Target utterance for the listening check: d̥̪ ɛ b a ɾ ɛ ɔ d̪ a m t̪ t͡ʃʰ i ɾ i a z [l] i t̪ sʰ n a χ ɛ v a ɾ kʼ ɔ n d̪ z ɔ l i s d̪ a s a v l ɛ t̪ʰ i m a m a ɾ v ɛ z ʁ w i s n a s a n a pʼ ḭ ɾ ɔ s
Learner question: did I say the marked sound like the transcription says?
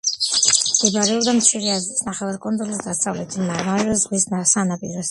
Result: no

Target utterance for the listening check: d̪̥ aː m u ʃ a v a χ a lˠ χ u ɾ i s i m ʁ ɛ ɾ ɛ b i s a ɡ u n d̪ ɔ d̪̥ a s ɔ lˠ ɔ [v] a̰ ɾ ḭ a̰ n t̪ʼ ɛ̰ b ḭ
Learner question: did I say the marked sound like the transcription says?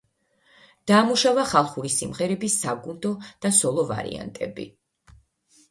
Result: yes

